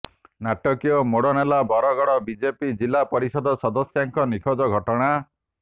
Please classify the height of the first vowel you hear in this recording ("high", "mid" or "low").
low